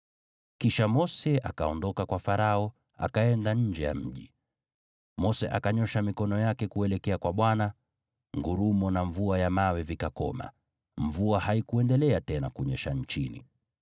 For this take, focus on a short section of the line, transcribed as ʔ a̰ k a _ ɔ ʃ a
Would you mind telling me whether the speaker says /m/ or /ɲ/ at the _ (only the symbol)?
ɲ